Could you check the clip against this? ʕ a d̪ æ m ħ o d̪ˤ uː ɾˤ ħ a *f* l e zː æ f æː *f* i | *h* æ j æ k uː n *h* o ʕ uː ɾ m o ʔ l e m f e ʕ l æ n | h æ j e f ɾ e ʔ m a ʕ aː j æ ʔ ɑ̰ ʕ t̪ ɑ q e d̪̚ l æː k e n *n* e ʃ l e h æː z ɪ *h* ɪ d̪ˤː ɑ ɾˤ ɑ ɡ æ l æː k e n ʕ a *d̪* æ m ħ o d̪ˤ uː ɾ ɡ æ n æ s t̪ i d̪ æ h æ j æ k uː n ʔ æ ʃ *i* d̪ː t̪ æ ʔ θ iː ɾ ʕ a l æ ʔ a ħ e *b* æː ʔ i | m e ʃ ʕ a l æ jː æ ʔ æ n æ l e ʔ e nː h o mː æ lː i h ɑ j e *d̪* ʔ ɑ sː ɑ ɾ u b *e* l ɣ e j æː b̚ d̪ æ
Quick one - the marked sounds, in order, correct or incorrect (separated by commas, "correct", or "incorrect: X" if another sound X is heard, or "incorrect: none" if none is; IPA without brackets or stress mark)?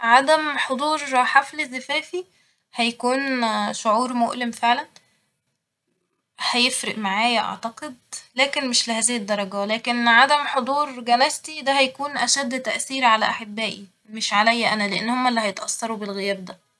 correct, correct, correct, incorrect: ʃ, incorrect: m, correct, correct, incorrect: æ, incorrect: bː, incorrect: t̪, correct